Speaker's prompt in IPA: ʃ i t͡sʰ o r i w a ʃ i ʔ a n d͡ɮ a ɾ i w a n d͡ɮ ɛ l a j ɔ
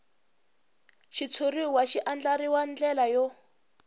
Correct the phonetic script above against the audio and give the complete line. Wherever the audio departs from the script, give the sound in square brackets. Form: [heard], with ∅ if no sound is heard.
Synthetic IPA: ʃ i t͡sʰ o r i w a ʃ i ʔ a n d͡ɮ a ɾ i w a n d͡ɮ ɛ l a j ɔ